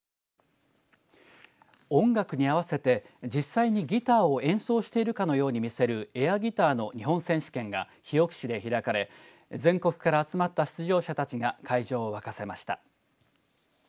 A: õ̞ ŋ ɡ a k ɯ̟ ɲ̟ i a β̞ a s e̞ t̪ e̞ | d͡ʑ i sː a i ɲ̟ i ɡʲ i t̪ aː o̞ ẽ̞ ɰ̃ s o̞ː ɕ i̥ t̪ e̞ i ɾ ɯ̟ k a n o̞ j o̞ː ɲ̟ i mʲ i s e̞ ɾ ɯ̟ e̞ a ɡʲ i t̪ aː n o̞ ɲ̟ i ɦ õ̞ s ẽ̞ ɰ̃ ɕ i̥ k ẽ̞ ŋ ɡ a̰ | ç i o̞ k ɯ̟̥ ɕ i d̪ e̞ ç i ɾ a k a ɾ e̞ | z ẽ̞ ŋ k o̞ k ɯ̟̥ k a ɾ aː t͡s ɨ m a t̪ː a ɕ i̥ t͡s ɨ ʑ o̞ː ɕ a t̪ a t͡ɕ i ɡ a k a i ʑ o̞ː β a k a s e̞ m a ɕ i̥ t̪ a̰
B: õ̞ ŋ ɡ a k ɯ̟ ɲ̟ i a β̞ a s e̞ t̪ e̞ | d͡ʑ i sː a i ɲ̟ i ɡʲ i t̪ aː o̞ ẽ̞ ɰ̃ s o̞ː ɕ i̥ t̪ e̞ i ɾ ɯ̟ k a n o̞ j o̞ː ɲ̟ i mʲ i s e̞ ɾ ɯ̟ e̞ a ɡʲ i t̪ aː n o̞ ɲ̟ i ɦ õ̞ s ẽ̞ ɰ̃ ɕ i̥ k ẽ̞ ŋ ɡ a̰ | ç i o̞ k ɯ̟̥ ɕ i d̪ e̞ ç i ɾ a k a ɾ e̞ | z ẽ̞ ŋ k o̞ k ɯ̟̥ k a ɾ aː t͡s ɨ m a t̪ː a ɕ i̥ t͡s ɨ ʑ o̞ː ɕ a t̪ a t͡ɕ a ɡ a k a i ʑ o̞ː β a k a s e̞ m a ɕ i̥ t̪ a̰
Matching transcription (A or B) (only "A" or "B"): A